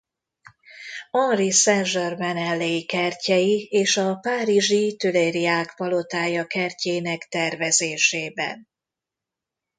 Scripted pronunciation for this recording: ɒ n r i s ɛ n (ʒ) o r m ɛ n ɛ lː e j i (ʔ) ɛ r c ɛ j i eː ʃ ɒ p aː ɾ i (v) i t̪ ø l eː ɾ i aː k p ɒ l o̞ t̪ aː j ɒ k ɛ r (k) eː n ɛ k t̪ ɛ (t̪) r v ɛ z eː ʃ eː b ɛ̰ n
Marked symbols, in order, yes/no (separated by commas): yes, no, no, no, no